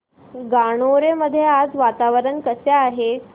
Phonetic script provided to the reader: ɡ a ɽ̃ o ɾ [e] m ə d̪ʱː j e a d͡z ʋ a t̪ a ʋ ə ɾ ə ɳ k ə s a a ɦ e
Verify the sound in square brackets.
correct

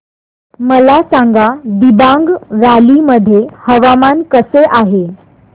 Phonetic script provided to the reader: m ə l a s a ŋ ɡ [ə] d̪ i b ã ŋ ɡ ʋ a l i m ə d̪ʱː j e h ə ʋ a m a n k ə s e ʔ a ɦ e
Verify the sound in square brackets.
incorrect: a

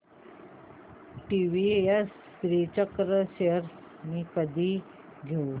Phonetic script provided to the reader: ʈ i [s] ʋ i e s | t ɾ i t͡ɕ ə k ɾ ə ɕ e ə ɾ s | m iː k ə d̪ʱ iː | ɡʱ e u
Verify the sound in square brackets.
incorrect: none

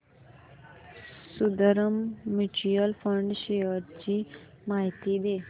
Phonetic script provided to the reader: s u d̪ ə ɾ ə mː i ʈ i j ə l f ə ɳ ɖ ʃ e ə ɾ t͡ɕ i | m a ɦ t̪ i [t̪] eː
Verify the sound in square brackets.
incorrect: d̪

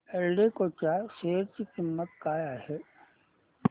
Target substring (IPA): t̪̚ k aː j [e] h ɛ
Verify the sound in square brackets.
incorrect: a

